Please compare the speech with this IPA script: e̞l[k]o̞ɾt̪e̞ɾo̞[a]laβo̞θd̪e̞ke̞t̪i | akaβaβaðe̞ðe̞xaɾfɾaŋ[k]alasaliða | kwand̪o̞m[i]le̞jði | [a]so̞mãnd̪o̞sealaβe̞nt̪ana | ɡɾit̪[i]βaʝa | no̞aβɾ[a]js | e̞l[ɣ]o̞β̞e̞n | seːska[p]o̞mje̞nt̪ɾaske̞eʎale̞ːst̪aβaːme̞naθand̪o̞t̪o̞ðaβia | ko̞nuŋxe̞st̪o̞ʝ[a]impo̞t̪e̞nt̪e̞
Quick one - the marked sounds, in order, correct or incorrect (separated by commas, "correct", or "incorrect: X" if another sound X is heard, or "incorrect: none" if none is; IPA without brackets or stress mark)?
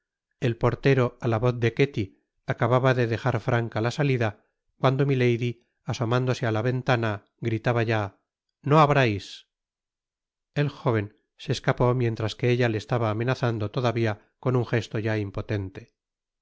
incorrect: p, correct, correct, correct, correct, incorrect: a, correct, incorrect: x, correct, correct